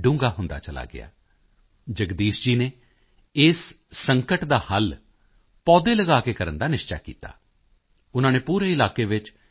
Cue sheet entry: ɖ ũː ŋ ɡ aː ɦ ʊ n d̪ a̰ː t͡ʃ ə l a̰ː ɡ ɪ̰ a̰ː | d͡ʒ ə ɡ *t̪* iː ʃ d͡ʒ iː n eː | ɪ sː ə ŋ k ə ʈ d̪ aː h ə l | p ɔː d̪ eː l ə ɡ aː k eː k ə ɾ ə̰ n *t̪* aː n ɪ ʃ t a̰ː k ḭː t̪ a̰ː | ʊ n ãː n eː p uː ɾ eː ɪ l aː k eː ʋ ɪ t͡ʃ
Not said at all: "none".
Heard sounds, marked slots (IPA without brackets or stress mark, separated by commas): d̪, d̪